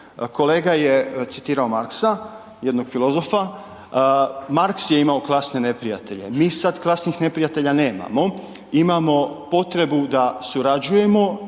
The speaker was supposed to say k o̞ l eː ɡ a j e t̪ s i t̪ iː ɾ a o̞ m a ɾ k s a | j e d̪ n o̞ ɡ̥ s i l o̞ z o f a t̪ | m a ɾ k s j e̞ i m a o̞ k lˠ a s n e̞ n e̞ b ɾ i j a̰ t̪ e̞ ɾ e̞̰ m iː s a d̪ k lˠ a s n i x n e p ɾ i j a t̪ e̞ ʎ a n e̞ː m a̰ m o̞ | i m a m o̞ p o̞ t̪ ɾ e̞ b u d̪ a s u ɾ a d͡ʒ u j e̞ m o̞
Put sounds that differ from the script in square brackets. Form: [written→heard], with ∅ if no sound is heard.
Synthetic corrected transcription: k o̞ l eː ɡ a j e t̪ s i t̪ iː ɾ a o̞ m a ɾ k s a | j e d̪ n o̞ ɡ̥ [s→f] i l o̞ z o f a [t̪→∅] | m a ɾ k s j e̞ i m a o̞ k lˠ a s n e̞ n e̞ [b→p] ɾ i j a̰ t̪ e̞ [ɾ→ʎ] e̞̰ m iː s a d̪ k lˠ a s n i x n e p ɾ i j a t̪ e̞ ʎ a n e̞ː m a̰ m o̞ | i m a m o̞ p o̞ t̪ ɾ e̞ b u d̪ a s u ɾ a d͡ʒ u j e̞ m o̞